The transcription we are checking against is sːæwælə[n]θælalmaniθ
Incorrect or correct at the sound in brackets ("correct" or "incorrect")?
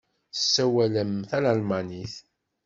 incorrect